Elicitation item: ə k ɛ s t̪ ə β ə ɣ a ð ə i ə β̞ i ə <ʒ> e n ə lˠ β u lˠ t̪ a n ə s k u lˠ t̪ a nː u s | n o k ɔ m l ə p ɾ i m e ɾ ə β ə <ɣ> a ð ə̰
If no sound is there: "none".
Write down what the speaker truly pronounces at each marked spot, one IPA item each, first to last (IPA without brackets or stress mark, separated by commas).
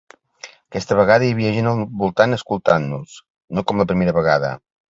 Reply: ʒ, ɣ